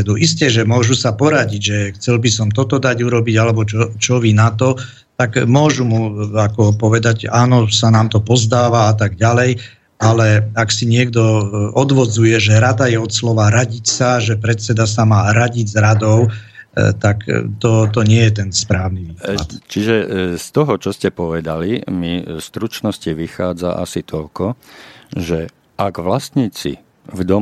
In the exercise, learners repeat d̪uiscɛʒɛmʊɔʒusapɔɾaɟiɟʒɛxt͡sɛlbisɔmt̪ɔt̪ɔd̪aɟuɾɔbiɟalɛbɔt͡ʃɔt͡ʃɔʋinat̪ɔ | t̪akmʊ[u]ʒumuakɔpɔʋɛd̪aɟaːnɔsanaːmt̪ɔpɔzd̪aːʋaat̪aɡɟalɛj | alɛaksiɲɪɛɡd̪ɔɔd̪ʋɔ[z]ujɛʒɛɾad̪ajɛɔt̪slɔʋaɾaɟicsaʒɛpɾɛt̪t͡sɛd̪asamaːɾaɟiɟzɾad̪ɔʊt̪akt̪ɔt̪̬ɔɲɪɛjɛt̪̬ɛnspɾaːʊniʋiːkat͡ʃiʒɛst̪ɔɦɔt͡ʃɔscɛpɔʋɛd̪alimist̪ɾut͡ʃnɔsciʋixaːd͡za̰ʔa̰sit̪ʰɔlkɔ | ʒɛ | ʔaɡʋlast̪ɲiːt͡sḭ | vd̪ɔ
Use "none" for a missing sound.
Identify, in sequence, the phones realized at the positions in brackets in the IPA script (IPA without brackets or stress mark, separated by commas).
ɔ, d͡z